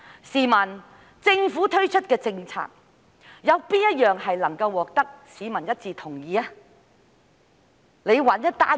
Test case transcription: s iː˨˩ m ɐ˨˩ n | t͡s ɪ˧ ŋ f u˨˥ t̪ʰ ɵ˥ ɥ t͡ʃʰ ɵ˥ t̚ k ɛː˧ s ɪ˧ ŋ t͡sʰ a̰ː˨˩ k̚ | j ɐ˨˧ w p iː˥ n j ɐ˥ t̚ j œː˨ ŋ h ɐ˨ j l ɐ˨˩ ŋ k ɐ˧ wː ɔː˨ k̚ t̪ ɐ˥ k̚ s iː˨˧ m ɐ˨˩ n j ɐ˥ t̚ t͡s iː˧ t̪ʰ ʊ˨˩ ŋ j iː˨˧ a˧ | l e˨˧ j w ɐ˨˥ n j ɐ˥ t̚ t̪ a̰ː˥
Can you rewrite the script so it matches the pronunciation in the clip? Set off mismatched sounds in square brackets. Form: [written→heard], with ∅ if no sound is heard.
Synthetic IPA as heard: s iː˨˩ m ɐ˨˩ n | t͡s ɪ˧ ŋ f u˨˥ t̪ʰ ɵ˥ ɥ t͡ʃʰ ɵ˥ t̚ k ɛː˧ [s→t͡s] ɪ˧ ŋ t͡sʰ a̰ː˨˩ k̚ | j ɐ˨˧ w p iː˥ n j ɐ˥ t̚ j œː˨ ŋ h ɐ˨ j l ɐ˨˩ ŋ k ɐ˧ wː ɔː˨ k̚ t̪ ɐ˥ k̚ s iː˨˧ m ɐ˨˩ n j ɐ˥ t̚ t͡s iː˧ t̪ʰ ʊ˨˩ ŋ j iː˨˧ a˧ | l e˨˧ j w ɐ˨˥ n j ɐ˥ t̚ t̪ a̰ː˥